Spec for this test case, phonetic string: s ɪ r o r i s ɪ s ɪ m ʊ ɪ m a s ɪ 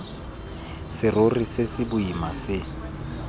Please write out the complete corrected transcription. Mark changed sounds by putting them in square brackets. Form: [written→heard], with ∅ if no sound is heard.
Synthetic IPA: s ɪ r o r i s ɪ s ɪ [m→b] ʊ [ɪ→i] m a s ɪ